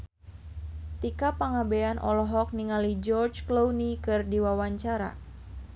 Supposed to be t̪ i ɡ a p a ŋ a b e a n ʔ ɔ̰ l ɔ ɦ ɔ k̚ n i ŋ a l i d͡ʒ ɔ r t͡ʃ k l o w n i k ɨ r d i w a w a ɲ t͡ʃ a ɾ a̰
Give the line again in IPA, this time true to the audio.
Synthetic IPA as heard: t̪ i k a p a ŋ a b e a n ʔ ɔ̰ l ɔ ɦ ɔ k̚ n i ŋ a l i d͡ʒ ɔ r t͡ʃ k l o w n i k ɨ r d i w a w a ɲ t͡ʃ a ɾ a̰